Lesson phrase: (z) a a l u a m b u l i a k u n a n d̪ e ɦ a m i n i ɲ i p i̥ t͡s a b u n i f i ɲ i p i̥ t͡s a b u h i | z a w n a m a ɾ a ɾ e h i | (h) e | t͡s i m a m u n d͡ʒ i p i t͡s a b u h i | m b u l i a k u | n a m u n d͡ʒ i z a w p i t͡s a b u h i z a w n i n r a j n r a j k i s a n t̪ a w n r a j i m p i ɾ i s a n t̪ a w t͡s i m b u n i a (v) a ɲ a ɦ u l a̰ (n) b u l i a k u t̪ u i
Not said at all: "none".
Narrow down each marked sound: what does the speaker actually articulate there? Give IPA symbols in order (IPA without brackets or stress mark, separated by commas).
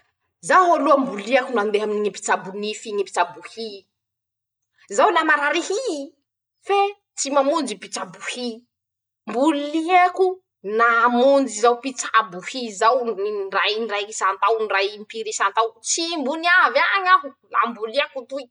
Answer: z, f, v, m